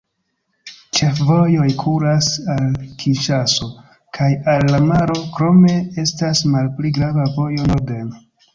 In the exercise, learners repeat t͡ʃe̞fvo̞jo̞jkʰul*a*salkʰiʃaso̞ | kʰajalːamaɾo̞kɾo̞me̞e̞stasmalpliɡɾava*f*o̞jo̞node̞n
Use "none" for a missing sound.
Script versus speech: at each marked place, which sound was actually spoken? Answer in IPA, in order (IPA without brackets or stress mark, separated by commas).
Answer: a, v